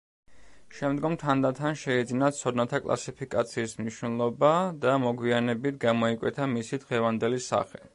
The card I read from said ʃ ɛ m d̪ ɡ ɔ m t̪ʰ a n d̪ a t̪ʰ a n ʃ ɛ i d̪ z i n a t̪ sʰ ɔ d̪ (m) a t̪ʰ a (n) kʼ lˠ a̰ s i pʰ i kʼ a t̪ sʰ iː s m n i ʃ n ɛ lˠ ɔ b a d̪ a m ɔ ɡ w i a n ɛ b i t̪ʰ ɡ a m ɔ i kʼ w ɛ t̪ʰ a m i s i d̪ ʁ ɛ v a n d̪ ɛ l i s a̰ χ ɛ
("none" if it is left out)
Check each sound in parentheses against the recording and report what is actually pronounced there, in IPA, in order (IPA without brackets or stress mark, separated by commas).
n, none